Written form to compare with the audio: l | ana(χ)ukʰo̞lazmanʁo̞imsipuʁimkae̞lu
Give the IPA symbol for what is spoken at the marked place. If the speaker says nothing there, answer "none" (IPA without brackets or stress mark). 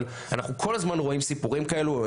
χ